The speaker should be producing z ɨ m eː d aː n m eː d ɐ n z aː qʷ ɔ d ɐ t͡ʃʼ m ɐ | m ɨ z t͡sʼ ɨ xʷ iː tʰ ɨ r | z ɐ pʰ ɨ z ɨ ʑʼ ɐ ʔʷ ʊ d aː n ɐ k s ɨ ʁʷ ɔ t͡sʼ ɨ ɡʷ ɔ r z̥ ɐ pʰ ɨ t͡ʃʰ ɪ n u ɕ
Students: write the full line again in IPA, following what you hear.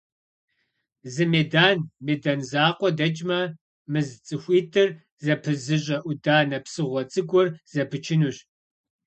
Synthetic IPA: z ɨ m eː d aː n m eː d ɐ n z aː qʷ ɔ d ɐ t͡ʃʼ m ɐ | m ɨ z t͡sʼ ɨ xʷ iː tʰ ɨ r | z ɐ pʰ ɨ z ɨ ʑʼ ɐ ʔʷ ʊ d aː n ɐ p s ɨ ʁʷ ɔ t͡sʼ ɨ ɡʷ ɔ r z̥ ɐ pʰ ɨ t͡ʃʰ ɪ n u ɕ

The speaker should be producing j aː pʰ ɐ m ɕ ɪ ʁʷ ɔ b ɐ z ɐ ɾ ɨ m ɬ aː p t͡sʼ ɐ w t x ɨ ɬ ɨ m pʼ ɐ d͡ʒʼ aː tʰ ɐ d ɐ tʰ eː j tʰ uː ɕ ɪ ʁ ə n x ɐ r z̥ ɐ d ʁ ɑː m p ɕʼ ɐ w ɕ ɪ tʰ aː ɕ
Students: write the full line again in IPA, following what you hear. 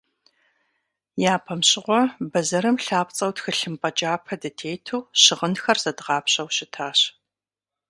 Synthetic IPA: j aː pʰ ɐ m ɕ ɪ ʁʷ ɔ b ɐ z ɐ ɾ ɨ m ɬ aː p t͡sʼ ɐ w t x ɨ ɬ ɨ m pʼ ɐ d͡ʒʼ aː pʰ ɐ d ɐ tʰ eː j tʰ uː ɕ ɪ ʁ ə n x ɐ r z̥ ɐ d ʁ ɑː p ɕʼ ɐ w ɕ ɪ tʰ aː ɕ

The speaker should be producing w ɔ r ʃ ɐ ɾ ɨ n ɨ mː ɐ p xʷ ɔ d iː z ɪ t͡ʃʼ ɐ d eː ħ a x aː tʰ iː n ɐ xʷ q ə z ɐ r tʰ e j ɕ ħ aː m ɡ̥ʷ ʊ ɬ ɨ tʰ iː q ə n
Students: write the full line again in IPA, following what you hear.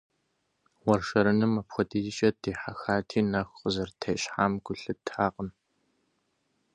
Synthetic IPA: w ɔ r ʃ ɐ ɾ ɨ n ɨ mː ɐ p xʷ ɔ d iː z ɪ t͡ʃʼ ɐ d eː ħ a x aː tʰ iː n ɐ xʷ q ə z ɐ r tʰ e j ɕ ħ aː m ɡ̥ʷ ʊ ɬ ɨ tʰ aː q ə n

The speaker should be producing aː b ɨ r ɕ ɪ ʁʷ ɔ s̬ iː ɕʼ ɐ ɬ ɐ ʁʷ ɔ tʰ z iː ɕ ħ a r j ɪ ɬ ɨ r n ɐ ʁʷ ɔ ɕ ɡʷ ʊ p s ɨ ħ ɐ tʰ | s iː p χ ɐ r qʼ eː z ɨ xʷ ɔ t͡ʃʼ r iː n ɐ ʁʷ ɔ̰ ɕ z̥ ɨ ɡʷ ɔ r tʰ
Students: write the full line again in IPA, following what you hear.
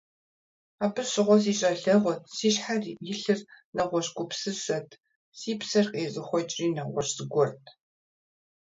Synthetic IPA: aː b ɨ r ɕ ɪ ʁʷ ɔ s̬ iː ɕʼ ɐ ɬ ɐ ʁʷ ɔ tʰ s iː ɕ ħ a r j ɪ ɬ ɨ r n ɐ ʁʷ ɔ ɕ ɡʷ ʊ p s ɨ s ɐ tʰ | s iː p s ɐ r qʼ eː z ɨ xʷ ɔ t͡ʃʼ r iː n ɐ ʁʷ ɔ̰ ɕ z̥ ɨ ɡʷ ɔ r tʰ

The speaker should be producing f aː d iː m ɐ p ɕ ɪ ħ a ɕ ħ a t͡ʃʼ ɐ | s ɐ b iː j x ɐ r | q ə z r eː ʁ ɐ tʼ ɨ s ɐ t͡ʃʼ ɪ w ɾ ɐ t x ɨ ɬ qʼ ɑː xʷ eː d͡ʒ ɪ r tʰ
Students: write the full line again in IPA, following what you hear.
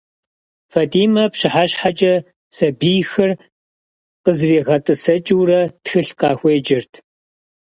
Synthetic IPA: f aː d iː m ɐ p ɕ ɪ ħ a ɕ ħ a t͡ʃʼ ɐ | s ɐ b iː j x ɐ r | q ə z r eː ʁ ɐ tʼ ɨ s ɐ t͡ʃʼ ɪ w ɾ ɐ t x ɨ ɬ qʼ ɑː xʷ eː d͡ʒ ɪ r tʰ

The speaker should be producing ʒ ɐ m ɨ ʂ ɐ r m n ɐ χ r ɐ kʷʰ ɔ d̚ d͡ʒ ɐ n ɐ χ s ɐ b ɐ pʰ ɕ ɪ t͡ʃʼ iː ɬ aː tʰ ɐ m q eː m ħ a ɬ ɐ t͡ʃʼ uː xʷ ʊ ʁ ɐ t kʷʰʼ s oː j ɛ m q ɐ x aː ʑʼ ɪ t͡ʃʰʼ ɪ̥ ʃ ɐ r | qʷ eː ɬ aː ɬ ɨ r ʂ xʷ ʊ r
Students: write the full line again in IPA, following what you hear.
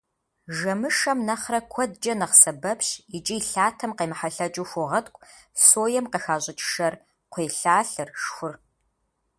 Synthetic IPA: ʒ ɐ m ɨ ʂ ɐ m n ɐ χ r ɐ kʷʰ ɔ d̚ d͡ʒ ɐ n ɐ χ s ɐ b ɐ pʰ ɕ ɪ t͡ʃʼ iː ɬ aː tʰ ɐ m q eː m ħ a ɬ ɐ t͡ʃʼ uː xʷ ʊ ʁ ɐ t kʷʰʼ s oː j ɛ m q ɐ x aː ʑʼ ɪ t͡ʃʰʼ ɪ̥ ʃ ɐ r | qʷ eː ɬ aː ɬ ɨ r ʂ xʷ ʊ r

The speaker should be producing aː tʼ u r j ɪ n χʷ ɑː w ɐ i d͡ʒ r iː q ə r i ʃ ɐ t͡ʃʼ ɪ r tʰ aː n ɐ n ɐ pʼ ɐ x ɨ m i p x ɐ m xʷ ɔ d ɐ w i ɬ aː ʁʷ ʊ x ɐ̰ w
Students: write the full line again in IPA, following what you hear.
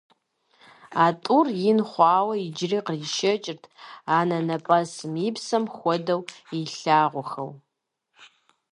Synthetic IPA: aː tʼ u r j ɪ n χʷ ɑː w ɐ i d͡ʒ r iː q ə r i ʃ ɐ t͡ʃʼ ɪ r tʰ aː n ɐ n ɐ pʼ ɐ s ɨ m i p s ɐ m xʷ ɔ d ɐ w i ɬ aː ʁʷ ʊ x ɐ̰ w

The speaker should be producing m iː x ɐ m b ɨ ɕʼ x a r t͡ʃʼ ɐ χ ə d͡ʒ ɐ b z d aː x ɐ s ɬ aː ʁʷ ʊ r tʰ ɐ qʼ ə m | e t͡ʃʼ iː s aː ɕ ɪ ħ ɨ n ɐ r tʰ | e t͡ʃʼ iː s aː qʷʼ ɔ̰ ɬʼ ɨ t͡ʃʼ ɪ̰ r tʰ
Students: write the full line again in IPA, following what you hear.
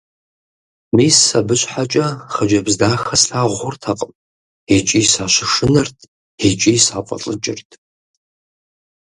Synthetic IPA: m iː s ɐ b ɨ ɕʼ ħ a t͡ʃʼ ɐ χ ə d͡ʒ ɐ b z d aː x ɐ s ɬ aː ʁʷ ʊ r tʰ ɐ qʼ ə m | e t͡ʃʼ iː s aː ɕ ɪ ʂ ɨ n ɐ r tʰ | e t͡ʃʼ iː s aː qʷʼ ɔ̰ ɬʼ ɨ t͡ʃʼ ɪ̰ r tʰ

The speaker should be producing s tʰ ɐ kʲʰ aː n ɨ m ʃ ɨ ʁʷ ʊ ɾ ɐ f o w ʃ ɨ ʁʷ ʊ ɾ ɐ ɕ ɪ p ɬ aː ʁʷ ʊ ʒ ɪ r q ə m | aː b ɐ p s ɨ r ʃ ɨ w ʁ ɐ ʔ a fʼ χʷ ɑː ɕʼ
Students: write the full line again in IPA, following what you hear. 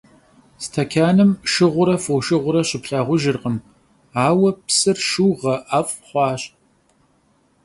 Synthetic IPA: s tʰ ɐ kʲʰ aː n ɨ m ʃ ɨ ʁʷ ʊ ɾ ɐ f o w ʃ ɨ ʁʷ ʊ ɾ ɐ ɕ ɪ p ɬ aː ʁʷ ʊ ʒ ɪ r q ə m | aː w ɐ p s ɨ r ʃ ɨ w ʁ ɐ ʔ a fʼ χʷ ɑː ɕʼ

